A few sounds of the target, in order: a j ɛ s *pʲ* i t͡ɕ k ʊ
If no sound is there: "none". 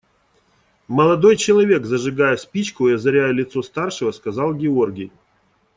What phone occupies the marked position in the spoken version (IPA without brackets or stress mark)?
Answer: pʲ